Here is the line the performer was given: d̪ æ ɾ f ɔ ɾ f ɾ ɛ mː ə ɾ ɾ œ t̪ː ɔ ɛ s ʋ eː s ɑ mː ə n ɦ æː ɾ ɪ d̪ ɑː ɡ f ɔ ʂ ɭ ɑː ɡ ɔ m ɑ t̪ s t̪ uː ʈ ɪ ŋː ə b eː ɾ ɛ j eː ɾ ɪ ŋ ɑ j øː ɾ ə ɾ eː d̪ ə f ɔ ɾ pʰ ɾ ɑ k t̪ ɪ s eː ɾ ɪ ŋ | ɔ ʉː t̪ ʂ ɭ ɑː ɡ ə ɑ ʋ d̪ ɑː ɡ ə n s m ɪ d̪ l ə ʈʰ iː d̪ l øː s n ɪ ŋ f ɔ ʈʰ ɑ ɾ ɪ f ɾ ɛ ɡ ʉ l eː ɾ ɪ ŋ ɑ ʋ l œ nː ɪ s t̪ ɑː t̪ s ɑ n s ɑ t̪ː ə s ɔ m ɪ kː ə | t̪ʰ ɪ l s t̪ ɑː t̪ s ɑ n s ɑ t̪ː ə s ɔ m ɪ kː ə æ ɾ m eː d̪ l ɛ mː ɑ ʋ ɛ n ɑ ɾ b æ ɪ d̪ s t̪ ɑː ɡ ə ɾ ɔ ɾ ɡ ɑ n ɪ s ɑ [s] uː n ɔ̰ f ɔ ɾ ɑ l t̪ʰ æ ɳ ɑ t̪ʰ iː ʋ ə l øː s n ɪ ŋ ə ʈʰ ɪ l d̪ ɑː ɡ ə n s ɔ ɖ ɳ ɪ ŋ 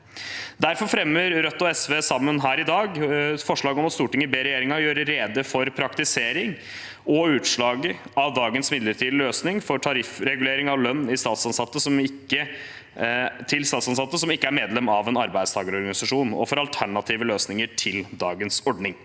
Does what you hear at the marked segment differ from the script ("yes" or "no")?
yes